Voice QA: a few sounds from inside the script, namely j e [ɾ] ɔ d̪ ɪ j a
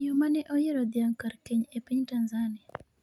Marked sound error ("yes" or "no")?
no